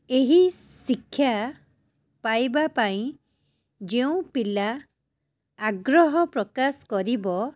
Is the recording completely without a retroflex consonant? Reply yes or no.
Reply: yes